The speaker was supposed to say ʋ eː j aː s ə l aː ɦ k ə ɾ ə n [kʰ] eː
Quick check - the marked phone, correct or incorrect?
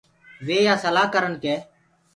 incorrect: k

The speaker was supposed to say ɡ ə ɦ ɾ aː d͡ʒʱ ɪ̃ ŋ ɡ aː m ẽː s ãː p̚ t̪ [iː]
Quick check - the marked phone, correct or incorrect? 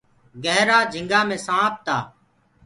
incorrect: aː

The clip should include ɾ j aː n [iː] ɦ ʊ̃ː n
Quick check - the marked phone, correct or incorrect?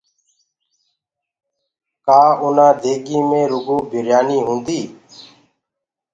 correct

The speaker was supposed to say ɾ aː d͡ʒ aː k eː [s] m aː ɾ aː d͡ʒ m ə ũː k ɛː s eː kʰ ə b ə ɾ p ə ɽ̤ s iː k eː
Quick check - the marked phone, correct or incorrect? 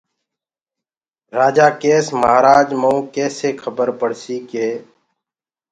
correct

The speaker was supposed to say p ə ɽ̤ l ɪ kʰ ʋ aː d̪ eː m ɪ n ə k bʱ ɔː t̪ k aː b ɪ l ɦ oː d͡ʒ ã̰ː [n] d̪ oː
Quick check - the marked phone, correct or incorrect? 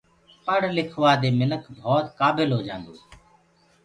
correct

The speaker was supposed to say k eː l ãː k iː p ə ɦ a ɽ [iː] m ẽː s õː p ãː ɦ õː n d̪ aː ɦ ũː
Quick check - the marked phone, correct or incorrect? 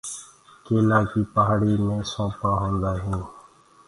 correct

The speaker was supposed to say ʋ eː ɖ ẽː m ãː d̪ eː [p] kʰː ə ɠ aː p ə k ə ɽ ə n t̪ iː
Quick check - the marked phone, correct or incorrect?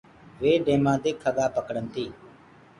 incorrect: none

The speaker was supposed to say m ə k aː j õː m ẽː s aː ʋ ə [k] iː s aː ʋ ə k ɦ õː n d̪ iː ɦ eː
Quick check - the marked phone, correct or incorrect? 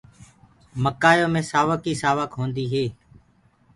correct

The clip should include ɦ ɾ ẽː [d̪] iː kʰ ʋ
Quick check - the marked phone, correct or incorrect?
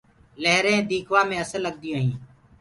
correct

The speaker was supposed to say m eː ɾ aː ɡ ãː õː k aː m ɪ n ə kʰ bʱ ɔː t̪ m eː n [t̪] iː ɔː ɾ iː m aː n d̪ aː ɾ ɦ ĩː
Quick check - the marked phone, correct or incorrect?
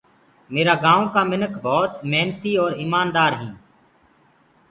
correct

